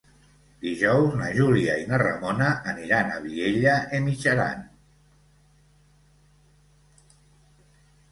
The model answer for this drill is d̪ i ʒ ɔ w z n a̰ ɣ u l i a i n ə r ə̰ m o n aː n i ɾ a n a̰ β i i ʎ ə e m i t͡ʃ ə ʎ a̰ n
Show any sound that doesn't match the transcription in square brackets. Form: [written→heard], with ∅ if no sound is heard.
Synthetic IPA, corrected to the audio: d̪ i ʒ ɔ w z n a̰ [ɣ→ʒ] u l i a i n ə r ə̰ m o n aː n i ɾ a n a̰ β i [i→e] ʎ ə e m i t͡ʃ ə [ʎ→ɾ] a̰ n